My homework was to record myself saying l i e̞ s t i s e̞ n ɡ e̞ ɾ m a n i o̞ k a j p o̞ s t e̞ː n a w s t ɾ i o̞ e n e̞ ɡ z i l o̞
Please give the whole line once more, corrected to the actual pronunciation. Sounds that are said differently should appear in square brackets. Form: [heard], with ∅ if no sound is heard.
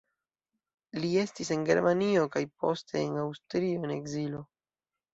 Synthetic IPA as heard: l i e̞ s t i s e̞ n ɡ e̞ ɾ m a n i o̞ k a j p o̞ s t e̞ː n a w s t ɾ i o̞ e n e̞ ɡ z i l o̞